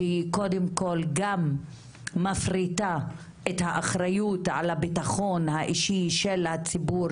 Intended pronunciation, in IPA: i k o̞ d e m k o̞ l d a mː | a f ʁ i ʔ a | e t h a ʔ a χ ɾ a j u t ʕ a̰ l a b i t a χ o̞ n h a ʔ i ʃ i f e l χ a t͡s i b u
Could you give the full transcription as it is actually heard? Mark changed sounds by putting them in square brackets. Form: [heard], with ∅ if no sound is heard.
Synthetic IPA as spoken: i k o̞ d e m k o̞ l [ɡ] a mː | a f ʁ i [t] a | e t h a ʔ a χ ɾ a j u t ʕ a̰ l a b i t a χ o̞ n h a ʔ i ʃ i [ʃ] e l [h] a t͡s i b u

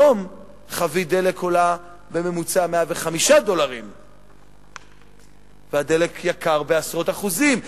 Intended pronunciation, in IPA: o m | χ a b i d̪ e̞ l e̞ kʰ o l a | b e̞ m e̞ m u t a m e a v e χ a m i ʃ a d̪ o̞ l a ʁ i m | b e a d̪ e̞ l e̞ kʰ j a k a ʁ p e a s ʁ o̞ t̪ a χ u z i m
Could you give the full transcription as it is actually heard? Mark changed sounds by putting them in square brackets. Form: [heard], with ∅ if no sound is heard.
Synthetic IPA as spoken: o m | χ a [v] i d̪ e̞ l e̞ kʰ o l a | b e̞ m e̞ m u [t͡s] a m e a v e χ a m i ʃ a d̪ o̞ l a ʁ i m | [v] e a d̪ e̞ l e̞ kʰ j a k a ʁ [b] e a s ʁ o̞ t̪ a χ u z i m

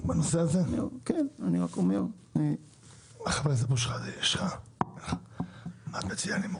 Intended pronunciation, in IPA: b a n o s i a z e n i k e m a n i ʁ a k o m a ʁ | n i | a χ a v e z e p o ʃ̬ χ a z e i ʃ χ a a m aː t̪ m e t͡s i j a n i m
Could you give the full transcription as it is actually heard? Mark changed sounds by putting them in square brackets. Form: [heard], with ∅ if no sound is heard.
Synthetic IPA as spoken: b a n o s [e] a z e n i k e [n] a n i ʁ a k o m [e] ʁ | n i | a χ a v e z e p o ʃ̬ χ a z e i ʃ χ a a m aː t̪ m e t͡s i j a n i m

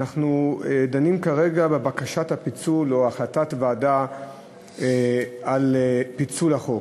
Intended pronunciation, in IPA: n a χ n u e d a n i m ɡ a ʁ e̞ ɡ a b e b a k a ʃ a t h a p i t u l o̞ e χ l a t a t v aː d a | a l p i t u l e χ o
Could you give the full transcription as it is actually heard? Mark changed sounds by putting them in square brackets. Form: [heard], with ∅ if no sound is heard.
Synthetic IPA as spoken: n a χ n u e d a n i m [k] a ʁ e̞ ɡ a b e b a k a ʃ a t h a p i [t͡s] u l o̞ [a] χ l a t a t v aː d a | a l p i [t͡s] u l [a] χ o

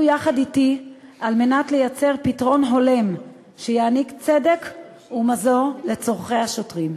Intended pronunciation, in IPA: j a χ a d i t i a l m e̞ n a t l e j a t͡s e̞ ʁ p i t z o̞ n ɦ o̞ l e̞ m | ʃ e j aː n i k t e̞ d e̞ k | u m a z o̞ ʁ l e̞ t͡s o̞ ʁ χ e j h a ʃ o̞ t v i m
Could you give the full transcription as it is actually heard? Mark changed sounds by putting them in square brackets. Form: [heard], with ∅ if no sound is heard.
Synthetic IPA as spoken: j a χ a d i t i a l m e̞ n a t l e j a t͡s e̞ ʁ p i t [ʁ] o̞ n ɦ o̞ l e̞ m | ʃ e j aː n i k [t͡s] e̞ d e̞ k | u m a z o̞ ʁ l e̞ t͡s o̞ ʁ χ e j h a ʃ o̞ t [ʁ] i m

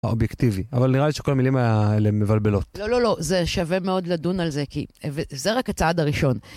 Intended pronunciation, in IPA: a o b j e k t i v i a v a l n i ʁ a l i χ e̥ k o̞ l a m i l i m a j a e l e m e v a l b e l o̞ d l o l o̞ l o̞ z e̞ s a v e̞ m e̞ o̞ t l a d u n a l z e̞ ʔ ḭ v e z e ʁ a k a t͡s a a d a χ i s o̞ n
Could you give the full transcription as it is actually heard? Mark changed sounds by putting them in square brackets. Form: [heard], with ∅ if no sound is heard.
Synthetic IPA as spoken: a o b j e k t i v i a v a l n i ʁ a l i [ʃ] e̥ k o̞ l a m i l i m a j a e l e m e v a l b e l o̞ [t] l o l o̞ l o̞ z e̞ [ʃ] a v e̞ m e̞ o̞ [d] l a d u n a l z e̞ [k] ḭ v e z e ʁ a k a t͡s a a d a [ʁ] i [ʃ] o̞ n

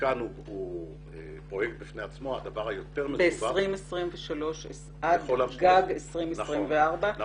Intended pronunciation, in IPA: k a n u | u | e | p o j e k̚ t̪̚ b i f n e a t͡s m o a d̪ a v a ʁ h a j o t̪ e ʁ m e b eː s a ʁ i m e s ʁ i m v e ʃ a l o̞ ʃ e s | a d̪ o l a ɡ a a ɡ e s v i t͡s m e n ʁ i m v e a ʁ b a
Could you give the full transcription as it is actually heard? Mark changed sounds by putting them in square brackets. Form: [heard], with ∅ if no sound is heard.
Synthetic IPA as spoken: k a n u | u | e | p o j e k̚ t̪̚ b i f n e a t͡s m o a d̪ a v a ʁ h a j o t̪ e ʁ m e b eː s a ʁ i m e s ʁ i m v e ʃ a l o̞ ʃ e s | a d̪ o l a ɡ a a ɡ e s [ʁ] i [∅] m e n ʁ i m v e a ʁ b a

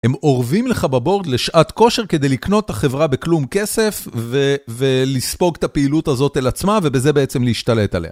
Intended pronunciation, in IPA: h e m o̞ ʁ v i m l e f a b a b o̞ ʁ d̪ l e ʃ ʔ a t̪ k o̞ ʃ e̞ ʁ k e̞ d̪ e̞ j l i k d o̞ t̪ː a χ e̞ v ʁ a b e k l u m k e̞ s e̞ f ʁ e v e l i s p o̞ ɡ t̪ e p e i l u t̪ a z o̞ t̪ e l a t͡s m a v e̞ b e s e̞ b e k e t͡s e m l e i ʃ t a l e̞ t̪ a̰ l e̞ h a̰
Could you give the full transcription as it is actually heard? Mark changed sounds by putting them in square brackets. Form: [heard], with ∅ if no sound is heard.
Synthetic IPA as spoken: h e m o̞ ʁ v i m l e [χ] a b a b o̞ ʁ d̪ l e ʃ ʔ a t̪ k o̞ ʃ e̞ ʁ k e̞ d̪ e̞ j l i k [n] o̞ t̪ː a χ e̞ v ʁ a b e k l u m k e̞ s e̞ f [v] e v e l i s p o̞ ɡ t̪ [a] p e i l u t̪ a z o̞ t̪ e l a t͡s m a v e̞ b e [z] e̞ b e [∅] e t͡s e m l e i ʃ t a l e̞ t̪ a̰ l e̞ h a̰

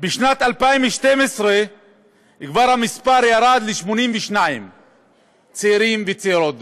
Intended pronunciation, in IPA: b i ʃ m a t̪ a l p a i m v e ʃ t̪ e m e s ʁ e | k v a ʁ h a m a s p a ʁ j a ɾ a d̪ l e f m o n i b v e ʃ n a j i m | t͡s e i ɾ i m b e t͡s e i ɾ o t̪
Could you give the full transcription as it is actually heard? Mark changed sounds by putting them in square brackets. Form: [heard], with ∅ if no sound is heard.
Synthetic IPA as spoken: b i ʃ [n] a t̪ a l p a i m v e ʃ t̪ e m e s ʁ e | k v a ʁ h a m [i] s p a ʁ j a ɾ a d̪ l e [ʃ] m o n i [m] v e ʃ n a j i m | t͡s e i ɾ i m [v] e t͡s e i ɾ o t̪

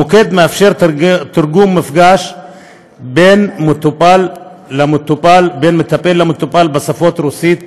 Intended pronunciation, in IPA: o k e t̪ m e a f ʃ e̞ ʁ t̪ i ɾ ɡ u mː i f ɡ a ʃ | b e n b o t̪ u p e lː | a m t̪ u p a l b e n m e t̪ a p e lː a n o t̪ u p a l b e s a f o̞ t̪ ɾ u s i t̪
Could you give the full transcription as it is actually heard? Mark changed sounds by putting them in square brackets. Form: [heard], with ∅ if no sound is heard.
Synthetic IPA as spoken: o k e [d̪] m e a f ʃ e̞ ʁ t̪ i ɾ ɡ u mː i f ɡ a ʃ | b e n [m] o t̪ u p [a] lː | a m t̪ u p a l b e n m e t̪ a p e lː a [m] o t̪ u p a l b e s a f o̞ t̪ ɾ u s i t̪

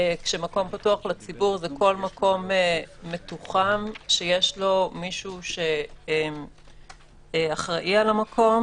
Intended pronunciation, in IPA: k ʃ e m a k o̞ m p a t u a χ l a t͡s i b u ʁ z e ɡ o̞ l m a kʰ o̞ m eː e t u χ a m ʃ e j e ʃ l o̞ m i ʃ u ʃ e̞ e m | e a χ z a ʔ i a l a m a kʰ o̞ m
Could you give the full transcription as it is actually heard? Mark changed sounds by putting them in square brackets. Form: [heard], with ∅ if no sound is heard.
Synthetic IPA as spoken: k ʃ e m a k o̞ m p a t u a χ l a t͡s i b u ʁ z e [k] o̞ l m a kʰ o̞ m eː e t u χ a m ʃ e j e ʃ l o̞ m i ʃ u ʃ e̞ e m | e a χ [ʁ] a ʔ i a l a m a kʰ o̞ m

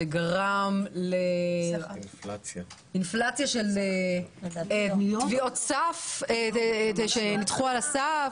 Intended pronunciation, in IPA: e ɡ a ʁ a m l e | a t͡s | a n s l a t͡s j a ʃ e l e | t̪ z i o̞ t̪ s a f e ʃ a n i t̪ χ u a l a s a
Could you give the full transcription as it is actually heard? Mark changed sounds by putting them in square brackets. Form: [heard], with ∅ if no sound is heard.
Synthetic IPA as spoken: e ɡ a ʁ a m l e | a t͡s | [i] n [f] l a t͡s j a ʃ e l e | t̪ [v] i o̞ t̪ s a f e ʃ [e] n i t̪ χ u a l a s a

